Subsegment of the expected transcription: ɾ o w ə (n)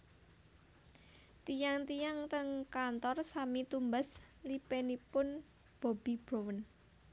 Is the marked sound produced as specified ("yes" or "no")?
yes